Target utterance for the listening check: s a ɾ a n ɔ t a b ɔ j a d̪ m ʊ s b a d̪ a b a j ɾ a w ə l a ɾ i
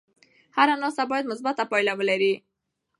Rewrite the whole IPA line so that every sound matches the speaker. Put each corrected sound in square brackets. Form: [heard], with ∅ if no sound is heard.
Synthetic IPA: [h] a ɾ a n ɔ [s] a b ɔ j a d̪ m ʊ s b a [t̪] a [p] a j [l] a w ə l a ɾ i